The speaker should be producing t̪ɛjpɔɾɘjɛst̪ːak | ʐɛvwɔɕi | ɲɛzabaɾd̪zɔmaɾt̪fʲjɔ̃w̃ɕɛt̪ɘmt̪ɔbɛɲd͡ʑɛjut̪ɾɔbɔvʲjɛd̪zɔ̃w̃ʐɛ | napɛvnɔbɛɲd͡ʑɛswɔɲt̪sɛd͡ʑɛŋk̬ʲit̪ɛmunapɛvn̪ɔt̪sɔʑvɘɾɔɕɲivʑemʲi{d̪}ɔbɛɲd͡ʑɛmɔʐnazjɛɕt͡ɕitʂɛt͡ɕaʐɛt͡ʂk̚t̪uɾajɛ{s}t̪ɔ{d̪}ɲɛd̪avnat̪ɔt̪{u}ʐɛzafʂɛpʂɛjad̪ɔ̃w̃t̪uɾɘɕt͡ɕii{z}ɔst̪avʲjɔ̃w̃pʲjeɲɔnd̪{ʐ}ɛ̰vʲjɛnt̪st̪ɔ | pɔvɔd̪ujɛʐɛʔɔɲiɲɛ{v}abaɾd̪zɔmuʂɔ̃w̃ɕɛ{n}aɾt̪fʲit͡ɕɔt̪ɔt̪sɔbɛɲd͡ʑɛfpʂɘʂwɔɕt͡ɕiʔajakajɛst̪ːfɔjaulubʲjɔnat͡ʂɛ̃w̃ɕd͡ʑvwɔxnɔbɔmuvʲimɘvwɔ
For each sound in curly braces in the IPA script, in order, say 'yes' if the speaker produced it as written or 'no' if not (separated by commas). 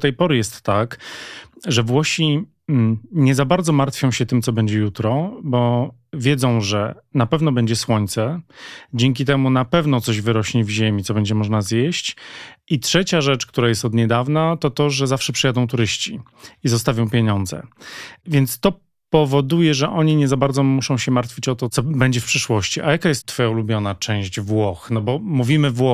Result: no, yes, yes, no, yes, no, no, no